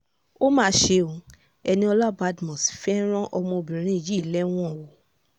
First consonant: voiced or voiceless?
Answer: voiced